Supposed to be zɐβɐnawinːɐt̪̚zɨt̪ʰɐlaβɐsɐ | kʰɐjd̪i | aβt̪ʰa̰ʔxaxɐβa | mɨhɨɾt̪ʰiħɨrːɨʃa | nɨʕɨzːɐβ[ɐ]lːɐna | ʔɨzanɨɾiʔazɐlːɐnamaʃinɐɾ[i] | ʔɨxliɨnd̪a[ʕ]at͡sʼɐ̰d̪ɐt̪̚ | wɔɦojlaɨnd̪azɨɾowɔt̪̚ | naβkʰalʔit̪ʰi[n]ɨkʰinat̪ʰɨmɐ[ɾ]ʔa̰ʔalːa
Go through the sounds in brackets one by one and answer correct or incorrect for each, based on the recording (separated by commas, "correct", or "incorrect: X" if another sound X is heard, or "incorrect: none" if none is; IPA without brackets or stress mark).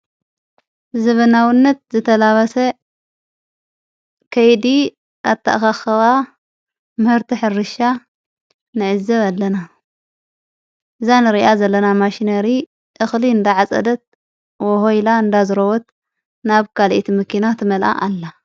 incorrect: a, correct, correct, incorrect: m, incorrect: l